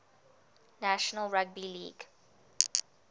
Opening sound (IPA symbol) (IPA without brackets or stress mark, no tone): n